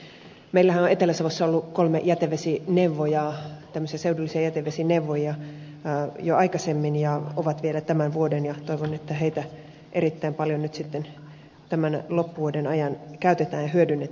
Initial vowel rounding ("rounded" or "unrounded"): unrounded